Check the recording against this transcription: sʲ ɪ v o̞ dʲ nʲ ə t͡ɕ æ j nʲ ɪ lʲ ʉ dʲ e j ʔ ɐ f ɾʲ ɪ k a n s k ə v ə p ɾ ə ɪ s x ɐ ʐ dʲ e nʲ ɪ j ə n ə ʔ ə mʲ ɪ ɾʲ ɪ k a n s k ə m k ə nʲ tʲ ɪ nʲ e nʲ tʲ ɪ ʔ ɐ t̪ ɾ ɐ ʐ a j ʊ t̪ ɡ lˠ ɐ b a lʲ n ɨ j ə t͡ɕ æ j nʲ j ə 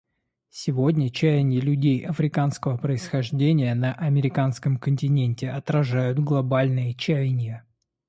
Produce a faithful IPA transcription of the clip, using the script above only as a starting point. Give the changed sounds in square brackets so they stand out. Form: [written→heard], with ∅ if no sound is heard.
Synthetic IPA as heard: sʲ ɪ v o̞ dʲ nʲ ə t͡ɕ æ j nʲ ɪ lʲ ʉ dʲ e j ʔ ɐ f ɾʲ ɪ k a n s k ə v ə p ɾ ə ɪ s x ɐ ʐ dʲ e nʲ ɪ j ə n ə ʔ [ə→ɐ] mʲ ɪ ɾʲ ɪ k a n s k ə m k ə nʲ tʲ ɪ nʲ e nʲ tʲ ɪ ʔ ɐ t̪ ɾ ɐ ʐ a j ʊ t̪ ɡ lˠ ɐ b a lʲ n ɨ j ə t͡ɕ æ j nʲ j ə